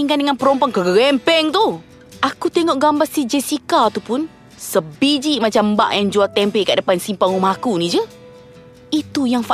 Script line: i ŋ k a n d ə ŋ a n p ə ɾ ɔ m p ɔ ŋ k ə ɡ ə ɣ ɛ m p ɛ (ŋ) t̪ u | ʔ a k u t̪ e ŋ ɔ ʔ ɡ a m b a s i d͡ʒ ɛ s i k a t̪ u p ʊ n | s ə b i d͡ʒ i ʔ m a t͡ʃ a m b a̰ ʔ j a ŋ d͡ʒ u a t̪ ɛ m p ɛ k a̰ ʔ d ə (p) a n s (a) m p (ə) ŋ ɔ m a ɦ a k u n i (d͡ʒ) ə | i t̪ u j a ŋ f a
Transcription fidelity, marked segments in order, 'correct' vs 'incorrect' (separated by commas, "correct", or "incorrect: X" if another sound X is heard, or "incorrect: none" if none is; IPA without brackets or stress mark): correct, correct, incorrect: i, incorrect: a, correct